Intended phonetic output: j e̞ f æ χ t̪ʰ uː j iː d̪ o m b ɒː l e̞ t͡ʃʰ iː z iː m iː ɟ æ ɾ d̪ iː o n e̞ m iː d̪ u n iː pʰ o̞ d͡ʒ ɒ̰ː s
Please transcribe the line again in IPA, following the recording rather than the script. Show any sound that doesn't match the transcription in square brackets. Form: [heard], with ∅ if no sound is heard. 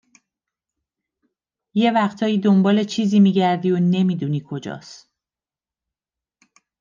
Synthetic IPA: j e̞ [v] æ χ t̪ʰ [ɒː] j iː d̪ o m b ɒː l e̞ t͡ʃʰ iː z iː m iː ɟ æ ɾ d̪ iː o n e̞ m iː d̪ u n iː [kʰ] o̞ d͡ʒ ɒ̰ː s